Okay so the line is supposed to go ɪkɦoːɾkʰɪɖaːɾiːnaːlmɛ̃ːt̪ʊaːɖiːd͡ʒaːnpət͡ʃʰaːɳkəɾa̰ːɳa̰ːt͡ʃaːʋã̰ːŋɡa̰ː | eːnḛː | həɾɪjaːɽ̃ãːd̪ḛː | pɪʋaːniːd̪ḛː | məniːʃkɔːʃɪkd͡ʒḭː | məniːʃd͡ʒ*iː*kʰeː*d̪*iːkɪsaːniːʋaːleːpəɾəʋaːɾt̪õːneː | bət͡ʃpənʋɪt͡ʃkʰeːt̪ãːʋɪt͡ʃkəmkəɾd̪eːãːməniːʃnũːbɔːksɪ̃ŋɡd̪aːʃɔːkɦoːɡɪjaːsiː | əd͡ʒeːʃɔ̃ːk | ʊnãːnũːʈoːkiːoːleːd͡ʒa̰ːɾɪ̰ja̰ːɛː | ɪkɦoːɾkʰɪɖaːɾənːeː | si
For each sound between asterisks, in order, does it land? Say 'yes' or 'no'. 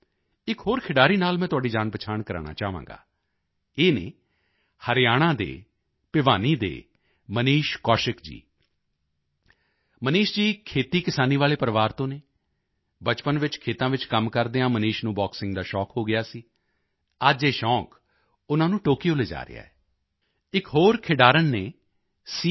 yes, no

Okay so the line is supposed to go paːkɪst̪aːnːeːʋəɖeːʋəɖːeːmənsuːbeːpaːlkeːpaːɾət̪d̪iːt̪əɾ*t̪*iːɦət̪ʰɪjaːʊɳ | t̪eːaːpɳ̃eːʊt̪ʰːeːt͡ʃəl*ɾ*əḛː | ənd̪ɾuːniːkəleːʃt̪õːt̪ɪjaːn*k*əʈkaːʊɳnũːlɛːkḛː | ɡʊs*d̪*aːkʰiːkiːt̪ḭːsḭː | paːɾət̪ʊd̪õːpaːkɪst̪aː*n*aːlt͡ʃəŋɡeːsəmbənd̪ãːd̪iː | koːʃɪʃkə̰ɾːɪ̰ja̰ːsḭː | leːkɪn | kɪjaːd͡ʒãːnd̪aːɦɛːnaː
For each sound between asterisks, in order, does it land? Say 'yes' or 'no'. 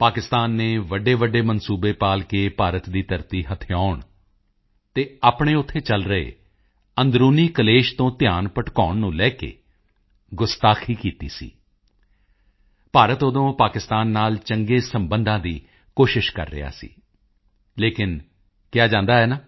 yes, yes, no, no, no

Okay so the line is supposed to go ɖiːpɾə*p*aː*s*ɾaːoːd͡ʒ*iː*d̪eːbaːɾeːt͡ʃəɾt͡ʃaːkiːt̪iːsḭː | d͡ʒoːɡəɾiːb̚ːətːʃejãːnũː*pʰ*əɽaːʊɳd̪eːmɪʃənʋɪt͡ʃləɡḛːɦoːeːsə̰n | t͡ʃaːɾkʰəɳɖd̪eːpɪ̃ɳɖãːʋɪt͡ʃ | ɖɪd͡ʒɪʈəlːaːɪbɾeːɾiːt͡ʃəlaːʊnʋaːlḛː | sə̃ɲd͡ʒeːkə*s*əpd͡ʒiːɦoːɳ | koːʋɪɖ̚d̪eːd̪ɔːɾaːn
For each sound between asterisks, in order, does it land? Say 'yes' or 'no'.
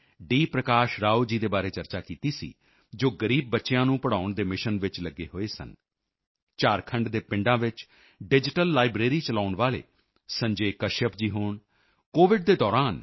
no, no, yes, no, no

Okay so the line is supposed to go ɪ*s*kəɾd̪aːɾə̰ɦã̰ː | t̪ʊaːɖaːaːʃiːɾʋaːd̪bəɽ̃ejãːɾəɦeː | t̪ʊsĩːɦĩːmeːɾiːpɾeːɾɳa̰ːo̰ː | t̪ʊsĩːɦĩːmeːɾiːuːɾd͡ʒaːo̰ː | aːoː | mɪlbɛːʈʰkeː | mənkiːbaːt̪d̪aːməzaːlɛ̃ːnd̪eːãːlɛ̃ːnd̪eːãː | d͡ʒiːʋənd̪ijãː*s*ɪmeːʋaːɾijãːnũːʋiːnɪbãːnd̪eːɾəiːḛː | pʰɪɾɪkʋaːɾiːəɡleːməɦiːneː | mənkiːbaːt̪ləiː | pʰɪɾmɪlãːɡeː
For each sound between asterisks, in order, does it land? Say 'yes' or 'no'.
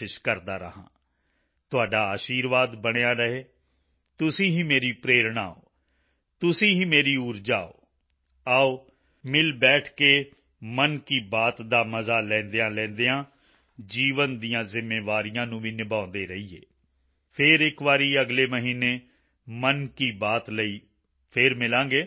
no, no

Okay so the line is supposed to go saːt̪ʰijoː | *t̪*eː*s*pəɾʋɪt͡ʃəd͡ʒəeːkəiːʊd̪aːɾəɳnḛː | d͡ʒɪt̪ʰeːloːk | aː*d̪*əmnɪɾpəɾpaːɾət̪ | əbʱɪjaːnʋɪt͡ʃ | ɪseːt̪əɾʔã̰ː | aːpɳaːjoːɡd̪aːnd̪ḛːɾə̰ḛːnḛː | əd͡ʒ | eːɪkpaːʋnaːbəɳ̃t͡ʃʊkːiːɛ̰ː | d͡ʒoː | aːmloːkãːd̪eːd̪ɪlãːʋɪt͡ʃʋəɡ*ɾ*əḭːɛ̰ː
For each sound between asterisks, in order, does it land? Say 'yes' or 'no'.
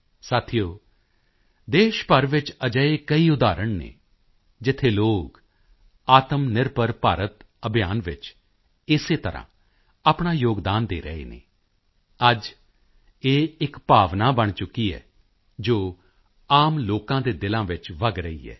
no, no, no, yes

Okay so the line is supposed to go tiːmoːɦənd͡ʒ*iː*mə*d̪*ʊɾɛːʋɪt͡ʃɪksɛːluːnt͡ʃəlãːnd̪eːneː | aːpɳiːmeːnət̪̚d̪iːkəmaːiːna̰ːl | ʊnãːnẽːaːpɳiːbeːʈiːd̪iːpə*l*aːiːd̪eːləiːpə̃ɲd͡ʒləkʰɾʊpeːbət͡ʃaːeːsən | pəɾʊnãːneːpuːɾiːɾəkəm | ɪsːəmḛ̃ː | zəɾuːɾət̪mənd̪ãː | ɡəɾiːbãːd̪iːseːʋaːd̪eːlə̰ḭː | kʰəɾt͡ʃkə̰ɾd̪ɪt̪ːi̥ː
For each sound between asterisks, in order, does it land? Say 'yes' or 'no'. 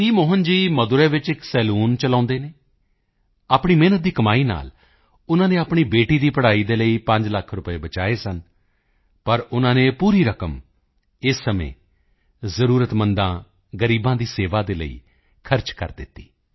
yes, yes, no

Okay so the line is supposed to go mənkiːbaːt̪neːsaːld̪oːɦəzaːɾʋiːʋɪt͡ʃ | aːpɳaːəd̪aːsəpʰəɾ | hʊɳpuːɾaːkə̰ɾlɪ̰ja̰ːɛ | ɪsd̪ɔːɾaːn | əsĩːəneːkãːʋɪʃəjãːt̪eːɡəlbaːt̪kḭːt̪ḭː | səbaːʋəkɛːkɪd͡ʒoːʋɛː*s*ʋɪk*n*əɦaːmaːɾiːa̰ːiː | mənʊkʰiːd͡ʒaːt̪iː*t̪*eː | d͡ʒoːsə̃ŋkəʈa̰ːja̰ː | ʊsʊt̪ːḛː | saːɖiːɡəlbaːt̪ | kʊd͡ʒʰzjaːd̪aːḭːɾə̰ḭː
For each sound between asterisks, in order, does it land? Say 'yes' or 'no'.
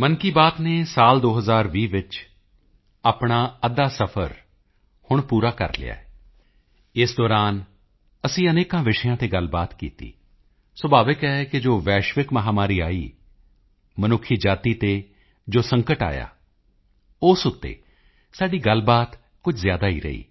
no, no, yes

